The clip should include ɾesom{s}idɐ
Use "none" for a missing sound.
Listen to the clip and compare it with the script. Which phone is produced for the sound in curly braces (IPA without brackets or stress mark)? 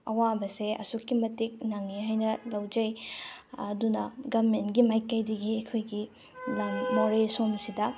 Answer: s